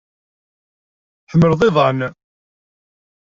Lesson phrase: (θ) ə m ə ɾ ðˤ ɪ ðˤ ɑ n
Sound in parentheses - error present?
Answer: no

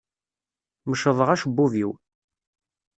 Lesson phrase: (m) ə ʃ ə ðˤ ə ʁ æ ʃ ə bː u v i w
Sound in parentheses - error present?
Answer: no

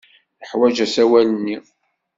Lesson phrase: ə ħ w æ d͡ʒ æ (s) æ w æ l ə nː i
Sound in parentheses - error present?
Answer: no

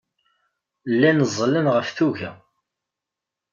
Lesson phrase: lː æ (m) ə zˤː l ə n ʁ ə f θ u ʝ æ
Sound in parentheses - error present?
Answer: yes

